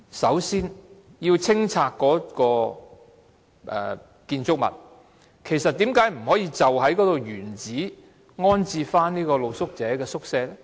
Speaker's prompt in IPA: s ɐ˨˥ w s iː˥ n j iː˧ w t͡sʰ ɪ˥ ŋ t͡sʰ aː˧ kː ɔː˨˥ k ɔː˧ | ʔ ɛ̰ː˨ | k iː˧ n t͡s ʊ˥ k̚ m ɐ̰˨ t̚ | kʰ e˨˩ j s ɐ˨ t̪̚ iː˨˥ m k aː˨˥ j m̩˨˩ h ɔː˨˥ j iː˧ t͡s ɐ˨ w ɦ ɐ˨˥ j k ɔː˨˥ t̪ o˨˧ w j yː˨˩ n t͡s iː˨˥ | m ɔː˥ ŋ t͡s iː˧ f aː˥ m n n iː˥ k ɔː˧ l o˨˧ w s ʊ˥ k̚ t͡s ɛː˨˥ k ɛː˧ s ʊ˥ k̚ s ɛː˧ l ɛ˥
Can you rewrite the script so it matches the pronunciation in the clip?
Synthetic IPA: s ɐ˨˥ w s iː˥ n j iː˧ w t͡sʰ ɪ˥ ŋ t͡sʰ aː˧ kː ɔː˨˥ k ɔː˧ | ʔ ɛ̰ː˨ | k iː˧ n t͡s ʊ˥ k̚ m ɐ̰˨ t̚ | kʰ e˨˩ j s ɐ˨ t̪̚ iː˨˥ m k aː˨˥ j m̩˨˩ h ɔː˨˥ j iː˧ t͡s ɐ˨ w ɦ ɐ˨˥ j k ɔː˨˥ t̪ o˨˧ w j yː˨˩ n t͡s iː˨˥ | ŋ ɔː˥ n t͡s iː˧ f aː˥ n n iː˥ k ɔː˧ l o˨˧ w s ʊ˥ k̚ t͡s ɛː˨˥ k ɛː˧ s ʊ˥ k̚ s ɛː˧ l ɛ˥